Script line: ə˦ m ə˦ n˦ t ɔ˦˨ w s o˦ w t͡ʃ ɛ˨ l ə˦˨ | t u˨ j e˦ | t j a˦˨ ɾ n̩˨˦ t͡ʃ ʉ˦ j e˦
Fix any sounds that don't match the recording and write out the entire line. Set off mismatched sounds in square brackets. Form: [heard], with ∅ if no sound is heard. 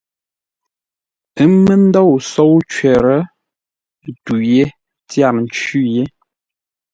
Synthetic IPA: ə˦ m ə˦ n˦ [d] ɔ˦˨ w s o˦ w t͡ʃ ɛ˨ [ɾ] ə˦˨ | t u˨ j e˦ | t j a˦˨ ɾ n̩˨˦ t͡ʃ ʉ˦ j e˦